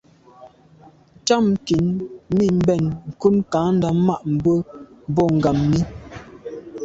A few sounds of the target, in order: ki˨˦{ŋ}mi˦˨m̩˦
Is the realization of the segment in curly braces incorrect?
yes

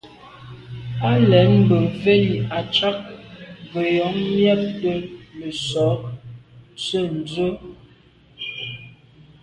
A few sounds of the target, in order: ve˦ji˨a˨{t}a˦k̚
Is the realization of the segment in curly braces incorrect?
yes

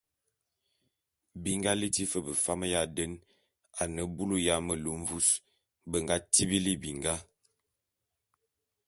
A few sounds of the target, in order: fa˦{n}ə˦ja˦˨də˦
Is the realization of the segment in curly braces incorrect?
yes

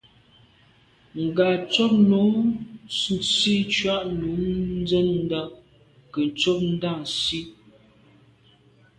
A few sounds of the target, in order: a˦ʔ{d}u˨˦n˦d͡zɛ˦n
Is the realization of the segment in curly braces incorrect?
yes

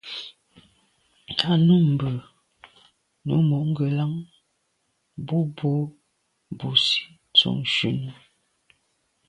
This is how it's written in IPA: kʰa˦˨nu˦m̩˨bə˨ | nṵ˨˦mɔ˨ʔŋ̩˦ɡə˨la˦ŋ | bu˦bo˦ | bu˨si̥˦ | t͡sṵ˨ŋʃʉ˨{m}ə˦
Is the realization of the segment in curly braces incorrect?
yes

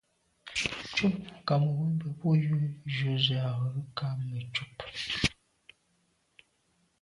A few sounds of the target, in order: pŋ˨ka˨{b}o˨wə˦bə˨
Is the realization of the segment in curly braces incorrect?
yes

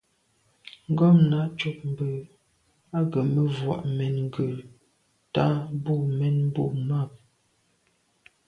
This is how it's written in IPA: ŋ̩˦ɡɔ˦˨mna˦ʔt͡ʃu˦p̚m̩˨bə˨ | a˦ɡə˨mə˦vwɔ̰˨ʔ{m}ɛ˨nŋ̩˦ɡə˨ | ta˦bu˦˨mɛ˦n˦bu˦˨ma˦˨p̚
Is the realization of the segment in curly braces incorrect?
no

